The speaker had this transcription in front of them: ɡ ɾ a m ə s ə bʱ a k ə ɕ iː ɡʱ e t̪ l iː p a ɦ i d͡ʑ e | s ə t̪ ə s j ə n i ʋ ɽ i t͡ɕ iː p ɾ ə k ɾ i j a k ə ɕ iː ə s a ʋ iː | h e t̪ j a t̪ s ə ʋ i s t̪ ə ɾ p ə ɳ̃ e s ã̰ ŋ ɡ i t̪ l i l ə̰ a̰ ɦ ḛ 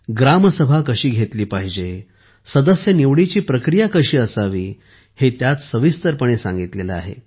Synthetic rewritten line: ɡ ɾ a m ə s ə bʱ a k ə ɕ iː ɡʱ e t̪ l iː p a ɦ i d͡ʑ e | s ə d̪ ə s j ə n i ʋ ɽ i t͡ɕ iː p ɾ ə k ɾ i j a k ə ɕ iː ə s a ʋ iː | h e t̪ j a t̪ s ə ʋ i s t̪ ə ɾ p ə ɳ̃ e s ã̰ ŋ ɡ i t̪ l e l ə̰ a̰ ɦ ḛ